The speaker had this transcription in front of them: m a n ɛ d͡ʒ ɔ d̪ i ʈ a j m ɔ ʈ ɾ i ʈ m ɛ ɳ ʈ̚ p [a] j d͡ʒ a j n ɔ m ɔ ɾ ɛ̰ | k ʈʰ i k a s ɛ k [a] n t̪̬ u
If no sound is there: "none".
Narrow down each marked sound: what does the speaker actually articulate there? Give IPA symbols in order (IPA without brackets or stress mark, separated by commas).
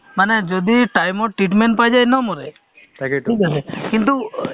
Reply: a, i